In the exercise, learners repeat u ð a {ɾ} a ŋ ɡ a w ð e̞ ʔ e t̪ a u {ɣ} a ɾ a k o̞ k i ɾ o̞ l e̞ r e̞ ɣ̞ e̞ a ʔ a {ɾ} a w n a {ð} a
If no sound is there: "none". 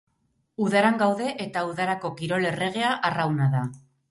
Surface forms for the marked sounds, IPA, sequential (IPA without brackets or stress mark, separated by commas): ɾ, ð, r, ð